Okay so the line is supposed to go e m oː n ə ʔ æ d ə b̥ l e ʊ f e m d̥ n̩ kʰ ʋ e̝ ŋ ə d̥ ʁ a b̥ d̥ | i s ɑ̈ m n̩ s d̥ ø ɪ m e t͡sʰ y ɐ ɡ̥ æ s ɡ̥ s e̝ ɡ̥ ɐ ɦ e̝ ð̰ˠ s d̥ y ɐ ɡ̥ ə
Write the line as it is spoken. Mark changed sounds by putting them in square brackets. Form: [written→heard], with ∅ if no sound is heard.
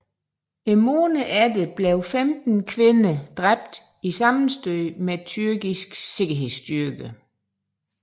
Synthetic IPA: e m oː n ə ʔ æ d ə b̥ l e ʊ f e m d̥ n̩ kʰ ʋ e̝ [ŋ→n] ə d̥ ʁ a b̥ d̥ | i s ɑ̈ m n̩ s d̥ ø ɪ m e t͡sʰ y ɐ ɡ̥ [æ→i] s ɡ̥ s e̝ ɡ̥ ɐ ɦ e̝ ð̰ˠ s d̥ y ɐ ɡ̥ ə